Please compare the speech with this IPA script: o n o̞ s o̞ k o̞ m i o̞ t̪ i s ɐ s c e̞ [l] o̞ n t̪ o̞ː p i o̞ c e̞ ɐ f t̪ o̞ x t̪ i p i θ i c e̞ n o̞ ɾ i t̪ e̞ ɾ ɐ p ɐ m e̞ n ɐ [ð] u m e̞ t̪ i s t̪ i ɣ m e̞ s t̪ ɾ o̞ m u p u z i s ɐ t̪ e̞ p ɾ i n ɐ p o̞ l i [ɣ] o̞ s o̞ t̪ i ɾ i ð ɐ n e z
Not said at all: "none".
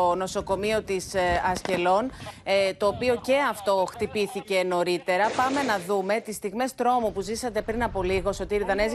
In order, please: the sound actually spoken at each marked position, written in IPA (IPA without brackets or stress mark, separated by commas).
l, ð, ɣ